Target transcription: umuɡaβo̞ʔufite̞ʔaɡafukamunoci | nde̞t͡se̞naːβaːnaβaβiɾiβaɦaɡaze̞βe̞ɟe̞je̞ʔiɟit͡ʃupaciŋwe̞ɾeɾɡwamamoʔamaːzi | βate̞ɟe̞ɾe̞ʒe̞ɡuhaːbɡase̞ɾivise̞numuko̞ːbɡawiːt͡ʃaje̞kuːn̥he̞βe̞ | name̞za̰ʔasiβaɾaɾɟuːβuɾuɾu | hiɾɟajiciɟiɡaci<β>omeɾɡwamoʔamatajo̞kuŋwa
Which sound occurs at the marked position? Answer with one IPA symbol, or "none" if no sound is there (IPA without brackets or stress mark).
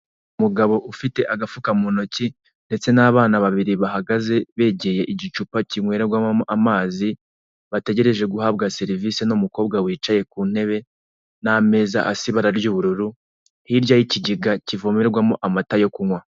v